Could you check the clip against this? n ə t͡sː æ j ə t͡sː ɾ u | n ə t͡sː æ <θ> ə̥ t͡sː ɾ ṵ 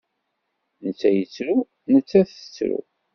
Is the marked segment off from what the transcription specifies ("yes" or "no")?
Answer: no